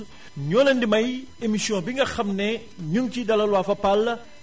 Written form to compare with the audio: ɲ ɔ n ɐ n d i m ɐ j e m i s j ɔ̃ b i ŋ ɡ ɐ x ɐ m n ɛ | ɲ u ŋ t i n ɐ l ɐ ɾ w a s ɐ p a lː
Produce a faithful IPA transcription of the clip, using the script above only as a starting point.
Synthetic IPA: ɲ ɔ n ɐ n d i m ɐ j e m i s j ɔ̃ b i ŋ ɡ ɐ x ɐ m n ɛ | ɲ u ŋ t i d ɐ l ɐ l w a f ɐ p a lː

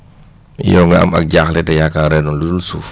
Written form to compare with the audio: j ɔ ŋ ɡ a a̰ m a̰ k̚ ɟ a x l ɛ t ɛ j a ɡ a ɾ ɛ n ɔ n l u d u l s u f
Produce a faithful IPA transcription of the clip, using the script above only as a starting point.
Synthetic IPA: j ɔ ŋ ɡ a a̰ m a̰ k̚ ɟ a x l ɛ t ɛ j a k a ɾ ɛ n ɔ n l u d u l s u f

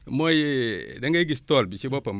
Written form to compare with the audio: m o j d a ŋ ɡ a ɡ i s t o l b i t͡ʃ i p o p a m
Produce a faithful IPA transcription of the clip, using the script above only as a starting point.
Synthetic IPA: m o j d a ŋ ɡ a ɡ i s t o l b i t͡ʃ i b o p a m

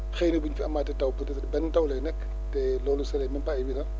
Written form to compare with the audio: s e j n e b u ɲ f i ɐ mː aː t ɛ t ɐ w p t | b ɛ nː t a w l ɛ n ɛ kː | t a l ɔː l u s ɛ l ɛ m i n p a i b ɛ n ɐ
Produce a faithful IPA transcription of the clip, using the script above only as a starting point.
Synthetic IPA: x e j n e b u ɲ f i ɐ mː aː t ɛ t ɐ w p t | b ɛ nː t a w l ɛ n ɛ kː | t ɛ l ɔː l u s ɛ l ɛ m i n p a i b i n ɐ

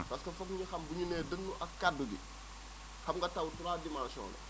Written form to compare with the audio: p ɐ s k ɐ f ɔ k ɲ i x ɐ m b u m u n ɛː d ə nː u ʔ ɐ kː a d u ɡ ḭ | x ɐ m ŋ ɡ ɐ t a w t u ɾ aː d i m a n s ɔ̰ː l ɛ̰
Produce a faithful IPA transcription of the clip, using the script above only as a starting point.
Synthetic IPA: p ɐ s k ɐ f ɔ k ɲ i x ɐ m b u ɲ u n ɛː d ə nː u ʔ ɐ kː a d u ɡ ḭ | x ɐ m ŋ ɡ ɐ t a w t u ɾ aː d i m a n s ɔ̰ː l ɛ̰

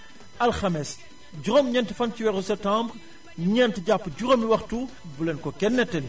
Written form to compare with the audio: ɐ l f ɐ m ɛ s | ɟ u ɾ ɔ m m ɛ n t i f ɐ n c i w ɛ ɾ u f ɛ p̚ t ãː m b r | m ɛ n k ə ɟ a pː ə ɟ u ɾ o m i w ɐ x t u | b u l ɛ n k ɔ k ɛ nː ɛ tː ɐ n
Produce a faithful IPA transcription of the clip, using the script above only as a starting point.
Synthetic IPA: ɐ l x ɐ m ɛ s | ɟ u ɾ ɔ m ɲ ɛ n t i f ɐ n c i w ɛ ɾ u s ɛ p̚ t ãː m b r | ɲ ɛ n t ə ɟ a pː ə ɟ u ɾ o m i w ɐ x t u | b u l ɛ n k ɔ k ɛ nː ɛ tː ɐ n

